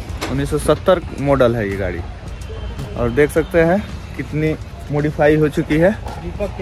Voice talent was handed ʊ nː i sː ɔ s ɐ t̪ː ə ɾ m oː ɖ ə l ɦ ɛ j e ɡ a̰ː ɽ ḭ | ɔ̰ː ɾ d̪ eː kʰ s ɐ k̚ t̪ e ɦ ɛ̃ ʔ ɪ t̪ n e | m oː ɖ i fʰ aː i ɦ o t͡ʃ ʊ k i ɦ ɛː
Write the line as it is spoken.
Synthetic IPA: ʊ nː i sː ɔ s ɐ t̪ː ə ɾ m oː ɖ ə l ɦ ɛ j e ɡ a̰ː ɽ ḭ | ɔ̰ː ɾ d̪ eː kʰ s ɐ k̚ t̪ e ɦ ɛ̃ k ɪ t̪ n i | m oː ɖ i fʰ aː i ɦ o t͡ʃ ʊ k i ɦ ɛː

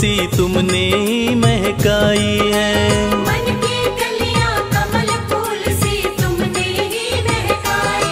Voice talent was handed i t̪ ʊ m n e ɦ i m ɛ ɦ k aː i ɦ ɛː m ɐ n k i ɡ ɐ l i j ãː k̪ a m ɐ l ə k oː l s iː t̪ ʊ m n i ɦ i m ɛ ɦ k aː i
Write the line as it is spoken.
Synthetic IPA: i t̪ ʊ m n e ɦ i m ɛ ɦ k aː i ɦ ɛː m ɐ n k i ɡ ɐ l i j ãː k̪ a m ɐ l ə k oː l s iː t̪ ʊ m n e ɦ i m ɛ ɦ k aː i

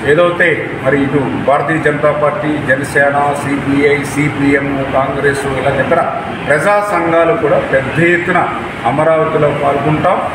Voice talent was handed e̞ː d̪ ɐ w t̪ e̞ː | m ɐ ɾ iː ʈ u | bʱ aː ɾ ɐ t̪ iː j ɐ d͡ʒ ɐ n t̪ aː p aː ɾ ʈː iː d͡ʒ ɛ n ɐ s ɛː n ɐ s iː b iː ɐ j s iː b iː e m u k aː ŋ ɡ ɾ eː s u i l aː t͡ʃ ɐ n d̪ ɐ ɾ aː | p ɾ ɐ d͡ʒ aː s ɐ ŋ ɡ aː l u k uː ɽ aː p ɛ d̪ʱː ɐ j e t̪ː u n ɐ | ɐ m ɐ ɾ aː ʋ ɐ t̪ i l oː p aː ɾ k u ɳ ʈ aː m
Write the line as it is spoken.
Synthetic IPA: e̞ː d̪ ɐ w t̪ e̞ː | m ɐ ɾ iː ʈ u | bʱ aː ɾ ɐ t̪ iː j ɐ d͡ʒ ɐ n t̪ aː p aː ɾ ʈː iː d͡ʒ ɛ n ɐ s ɛː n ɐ s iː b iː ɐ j s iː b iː e m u k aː ŋ ɡ ɾ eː s u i l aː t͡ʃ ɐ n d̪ ɐ ɾ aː | p ɾ ɐ d͡ʒ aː s ɐ ŋ ɡ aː l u k uː ɽ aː p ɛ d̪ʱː ɐ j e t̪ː u n ɐ | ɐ m ɐ ɾ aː ʋ ɐ t̪ i l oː p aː l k u ɳ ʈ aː m

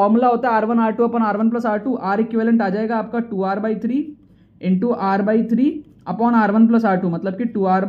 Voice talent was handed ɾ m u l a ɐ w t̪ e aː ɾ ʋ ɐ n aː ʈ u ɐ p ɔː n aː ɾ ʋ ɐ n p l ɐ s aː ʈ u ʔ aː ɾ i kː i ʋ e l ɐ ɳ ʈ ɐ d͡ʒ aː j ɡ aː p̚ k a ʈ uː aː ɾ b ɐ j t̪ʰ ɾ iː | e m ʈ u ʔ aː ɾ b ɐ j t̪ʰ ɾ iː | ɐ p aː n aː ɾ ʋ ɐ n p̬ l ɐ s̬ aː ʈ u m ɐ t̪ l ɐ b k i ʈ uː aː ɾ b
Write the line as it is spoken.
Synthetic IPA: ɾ m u l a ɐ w t̪ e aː ɾ ʋ ɐ n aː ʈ u ɐ p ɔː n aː ɾ ʋ ɐ n p l ɐ s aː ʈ u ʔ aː ɾ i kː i ʋ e l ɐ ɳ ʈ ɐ d͡ʒ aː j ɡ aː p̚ k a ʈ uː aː ɾ b ɐ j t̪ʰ ɾ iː | e ɳ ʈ u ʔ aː ɾ b ɐ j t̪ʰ ɾ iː | ɐ p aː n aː ɾ ʋ ɐ n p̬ l ɐ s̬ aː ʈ u m ɐ t̪ l ɐ b k i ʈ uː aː ɾ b

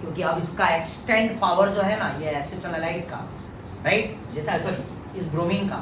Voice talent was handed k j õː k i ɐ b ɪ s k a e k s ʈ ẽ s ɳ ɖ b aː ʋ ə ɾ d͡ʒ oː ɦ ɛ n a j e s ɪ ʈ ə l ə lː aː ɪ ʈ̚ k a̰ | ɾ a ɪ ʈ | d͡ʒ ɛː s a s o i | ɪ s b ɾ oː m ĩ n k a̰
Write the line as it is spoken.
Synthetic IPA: k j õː k i ɐ b ɪ s k a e k s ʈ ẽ ɳ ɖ p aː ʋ ə ɾ d͡ʒ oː ɦ ɛ n a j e s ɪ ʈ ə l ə l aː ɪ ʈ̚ k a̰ | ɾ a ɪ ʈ | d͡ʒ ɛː s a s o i | ɪ s b ɾ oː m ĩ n k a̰

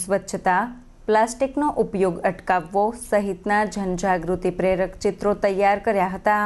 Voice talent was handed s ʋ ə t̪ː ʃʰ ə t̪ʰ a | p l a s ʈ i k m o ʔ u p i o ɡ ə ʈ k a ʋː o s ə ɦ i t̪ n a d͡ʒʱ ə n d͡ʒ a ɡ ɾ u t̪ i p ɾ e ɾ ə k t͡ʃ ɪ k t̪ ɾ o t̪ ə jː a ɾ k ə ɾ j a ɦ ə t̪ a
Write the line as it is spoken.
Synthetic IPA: s ʋ ə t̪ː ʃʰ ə t̪ a | p l a s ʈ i k n o ʔ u p j o ɡ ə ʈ k a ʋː o s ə ɦ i t̪ n a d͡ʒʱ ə n d͡ʒ a ɡ ɾ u t̪ i p ɾ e ɾ ə k t͡ʃ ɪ t̪ ɾ o t̪ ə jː a ɾ k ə ɾ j a ɦ ə t̪ a

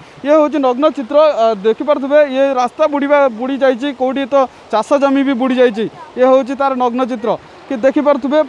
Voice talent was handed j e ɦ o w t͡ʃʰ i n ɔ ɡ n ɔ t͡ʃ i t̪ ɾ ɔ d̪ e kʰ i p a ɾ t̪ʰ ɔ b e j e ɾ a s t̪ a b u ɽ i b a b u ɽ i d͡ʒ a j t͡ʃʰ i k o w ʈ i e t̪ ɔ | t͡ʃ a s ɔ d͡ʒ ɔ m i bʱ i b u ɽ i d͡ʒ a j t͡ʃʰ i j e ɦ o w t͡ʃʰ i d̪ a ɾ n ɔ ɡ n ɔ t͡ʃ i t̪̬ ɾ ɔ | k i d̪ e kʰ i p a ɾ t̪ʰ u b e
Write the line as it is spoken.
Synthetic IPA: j e ɦ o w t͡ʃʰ i n ɔ ɡ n ɔ t͡ʃ i t̪ ɾ ɔ d̪ e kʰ i p a ɾ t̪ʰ u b e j e ɾ a s t̪ a b u ɽ i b a b u ɽ i d͡ʒ a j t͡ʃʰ i k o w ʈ i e t̪ ɔ | t͡ʃ a s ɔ d͡ʒ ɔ m i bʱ i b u ɽ i d͡ʒ a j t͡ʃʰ i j e ɦ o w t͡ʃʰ i t̪ a ɾ n ɔ ɡ n ɔ t͡ʃ i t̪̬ ɾ ɔ | k i d̪ e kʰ i p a ɾ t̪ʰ u b e

